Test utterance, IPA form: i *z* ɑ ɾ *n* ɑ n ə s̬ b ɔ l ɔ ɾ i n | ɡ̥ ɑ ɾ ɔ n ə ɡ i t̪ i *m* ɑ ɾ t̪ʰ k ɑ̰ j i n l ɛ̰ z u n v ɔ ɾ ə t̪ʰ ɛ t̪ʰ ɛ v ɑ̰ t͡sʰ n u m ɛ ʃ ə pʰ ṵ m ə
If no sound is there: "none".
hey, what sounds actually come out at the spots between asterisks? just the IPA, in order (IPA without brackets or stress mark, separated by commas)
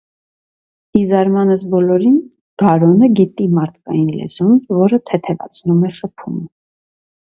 z, m, m